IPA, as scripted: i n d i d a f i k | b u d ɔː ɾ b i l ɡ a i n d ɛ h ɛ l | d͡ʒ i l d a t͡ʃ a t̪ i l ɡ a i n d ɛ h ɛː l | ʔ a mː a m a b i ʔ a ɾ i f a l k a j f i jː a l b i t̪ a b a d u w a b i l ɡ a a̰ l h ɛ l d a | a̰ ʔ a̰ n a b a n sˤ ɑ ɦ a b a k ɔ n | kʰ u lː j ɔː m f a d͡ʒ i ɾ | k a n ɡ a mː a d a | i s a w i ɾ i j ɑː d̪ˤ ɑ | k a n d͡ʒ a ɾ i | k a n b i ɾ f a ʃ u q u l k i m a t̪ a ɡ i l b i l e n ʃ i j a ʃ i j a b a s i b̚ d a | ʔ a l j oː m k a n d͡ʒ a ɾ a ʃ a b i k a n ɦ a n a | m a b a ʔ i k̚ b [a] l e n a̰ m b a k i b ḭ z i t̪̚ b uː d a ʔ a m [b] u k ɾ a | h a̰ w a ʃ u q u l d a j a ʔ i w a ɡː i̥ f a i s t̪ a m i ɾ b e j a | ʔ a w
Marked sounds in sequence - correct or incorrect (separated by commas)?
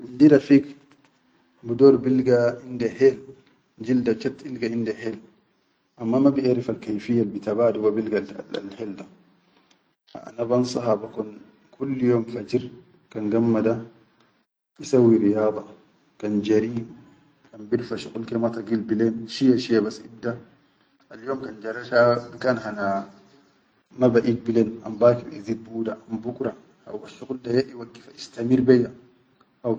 incorrect, correct